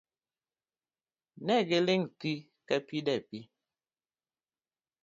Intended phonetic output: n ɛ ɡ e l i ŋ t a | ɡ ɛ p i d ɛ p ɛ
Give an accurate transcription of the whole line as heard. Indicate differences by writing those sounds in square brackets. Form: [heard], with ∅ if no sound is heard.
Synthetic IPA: n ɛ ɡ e l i ŋ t [i] | [k] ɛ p i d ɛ p [i]